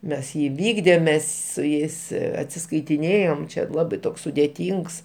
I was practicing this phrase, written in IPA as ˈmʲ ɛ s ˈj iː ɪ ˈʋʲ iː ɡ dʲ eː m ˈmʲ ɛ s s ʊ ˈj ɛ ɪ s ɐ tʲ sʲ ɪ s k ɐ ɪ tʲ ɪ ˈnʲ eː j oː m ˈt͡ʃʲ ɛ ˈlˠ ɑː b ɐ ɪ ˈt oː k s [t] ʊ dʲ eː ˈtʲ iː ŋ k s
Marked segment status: incorrect: s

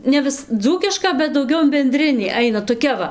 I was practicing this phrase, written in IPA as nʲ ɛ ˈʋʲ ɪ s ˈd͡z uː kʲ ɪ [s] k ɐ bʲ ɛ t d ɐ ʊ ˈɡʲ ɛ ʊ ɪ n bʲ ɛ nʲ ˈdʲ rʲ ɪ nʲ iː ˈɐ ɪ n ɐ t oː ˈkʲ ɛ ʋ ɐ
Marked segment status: incorrect: ʃ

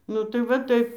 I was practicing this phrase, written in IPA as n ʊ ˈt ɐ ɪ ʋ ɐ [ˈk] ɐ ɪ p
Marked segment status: incorrect: t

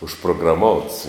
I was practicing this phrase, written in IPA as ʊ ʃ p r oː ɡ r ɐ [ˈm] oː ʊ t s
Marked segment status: correct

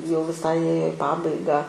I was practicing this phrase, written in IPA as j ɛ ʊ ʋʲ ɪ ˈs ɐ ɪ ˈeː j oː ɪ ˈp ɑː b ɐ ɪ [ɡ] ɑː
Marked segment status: correct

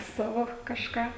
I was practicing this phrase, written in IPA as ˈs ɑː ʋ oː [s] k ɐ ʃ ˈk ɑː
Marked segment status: incorrect: none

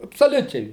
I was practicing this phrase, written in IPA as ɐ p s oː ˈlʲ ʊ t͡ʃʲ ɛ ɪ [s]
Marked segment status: incorrect: none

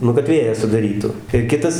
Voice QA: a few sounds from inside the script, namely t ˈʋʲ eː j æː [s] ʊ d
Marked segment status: correct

